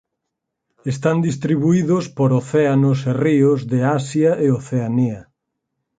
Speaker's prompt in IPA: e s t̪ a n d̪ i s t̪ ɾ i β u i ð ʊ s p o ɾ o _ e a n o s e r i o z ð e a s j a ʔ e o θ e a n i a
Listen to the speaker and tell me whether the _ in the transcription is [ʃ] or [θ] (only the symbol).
θ